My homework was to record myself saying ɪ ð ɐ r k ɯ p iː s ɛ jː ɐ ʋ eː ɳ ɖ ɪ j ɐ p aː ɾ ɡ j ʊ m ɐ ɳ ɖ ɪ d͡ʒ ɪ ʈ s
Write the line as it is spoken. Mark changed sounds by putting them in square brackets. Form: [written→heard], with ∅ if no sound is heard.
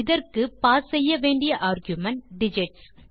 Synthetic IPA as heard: ɪ ð ɐ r k ɯ p [iː→aː] s ɛ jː ɐ ʋ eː ɳ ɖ ɪ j ɐ [p→ʔ] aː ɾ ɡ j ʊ m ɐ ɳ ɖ ɪ d͡ʒ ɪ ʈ s